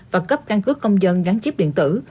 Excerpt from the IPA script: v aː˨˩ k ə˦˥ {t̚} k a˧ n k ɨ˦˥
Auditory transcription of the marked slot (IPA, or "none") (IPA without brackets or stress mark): p̚